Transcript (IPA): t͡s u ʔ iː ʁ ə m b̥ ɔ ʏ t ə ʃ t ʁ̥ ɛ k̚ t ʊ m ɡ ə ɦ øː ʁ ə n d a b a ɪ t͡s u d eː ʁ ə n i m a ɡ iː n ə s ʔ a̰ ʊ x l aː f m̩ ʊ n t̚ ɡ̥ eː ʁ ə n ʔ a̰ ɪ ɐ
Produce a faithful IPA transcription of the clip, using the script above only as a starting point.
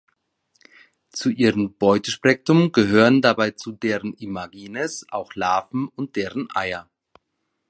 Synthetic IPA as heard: t͡s u ʔ iː ʁ ə m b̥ ɔ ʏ t ə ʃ p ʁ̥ ɛ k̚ t ʊ m ɡ ə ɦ øː ʁ ə n d a b a ɪ t͡s u d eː ʁ ə n i m a ɡ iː n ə s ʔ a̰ ʊ x l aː f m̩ ʊ n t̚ d̥ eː ʁ ə n ʔ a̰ ɪ ɐ